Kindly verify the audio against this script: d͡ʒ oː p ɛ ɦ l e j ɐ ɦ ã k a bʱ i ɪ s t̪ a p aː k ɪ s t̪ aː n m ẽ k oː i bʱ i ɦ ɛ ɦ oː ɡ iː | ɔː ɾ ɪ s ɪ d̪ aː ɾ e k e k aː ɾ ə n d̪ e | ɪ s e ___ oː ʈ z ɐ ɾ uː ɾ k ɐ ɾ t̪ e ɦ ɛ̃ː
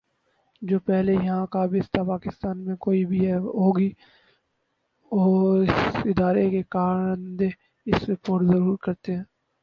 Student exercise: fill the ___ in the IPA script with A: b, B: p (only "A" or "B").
B